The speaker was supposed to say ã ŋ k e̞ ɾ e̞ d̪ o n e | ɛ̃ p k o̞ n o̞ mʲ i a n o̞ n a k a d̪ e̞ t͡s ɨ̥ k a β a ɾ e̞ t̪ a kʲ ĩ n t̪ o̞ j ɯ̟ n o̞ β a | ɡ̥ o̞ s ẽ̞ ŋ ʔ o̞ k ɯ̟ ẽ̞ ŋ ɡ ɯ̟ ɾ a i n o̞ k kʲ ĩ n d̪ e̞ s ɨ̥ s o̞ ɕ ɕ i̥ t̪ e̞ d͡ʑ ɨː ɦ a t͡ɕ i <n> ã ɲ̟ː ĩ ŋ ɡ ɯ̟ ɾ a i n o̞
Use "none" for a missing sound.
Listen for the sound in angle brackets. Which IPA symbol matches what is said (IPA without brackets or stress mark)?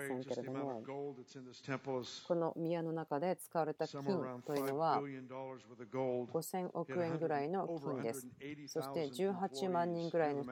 m